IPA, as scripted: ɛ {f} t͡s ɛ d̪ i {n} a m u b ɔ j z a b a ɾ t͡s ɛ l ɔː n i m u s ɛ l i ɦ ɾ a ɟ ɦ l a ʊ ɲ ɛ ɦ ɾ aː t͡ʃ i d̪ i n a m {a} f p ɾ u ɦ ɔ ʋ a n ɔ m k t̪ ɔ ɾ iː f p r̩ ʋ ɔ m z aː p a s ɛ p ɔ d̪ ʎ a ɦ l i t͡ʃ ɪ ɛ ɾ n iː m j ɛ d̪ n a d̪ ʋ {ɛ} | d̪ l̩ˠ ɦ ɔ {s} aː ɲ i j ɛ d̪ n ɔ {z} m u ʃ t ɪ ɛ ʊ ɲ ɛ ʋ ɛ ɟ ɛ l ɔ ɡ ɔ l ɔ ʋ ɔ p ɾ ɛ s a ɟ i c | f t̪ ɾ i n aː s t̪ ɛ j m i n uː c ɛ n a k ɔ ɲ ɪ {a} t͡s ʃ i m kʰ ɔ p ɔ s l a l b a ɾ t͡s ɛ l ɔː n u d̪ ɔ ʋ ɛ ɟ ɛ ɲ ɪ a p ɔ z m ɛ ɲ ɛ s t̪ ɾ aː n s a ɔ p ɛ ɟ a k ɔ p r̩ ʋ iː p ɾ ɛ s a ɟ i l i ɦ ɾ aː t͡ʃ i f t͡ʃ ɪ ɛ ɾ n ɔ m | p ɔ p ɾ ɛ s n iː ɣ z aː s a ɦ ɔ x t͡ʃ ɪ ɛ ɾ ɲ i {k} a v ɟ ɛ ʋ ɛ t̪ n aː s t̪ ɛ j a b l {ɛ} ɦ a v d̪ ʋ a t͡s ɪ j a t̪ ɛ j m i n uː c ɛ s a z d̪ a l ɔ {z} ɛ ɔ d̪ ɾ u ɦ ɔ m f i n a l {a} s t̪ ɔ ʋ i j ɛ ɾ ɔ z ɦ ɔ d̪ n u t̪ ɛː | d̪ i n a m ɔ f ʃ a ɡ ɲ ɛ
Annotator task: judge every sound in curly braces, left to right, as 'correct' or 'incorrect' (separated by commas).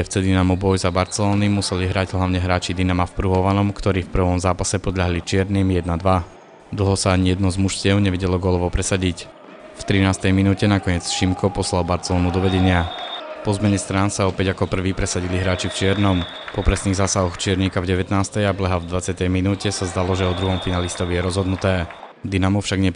correct, correct, correct, incorrect, correct, correct, incorrect, correct, correct, incorrect, incorrect